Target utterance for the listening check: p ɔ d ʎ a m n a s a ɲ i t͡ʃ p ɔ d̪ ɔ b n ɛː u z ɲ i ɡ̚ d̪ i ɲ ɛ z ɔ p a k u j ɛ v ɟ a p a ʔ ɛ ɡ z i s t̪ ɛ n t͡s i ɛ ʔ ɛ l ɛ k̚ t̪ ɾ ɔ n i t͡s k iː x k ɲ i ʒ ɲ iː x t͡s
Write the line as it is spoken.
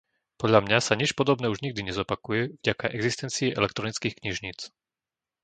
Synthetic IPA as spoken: p ɔ d ʎ a m ɲ a s a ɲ i t͡ʃ p ɔ d̪ ɔ b n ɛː u ʒ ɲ i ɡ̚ d̪ i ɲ ɛ z ɔ p a k u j ɛ v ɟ a k a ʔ ɛ ɡ z i s t̪ ɛ n t͡s i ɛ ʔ ɛ l ɛ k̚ t̪ ɾ ɔ n i t͡s k iː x k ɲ i ʒ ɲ iː t͡s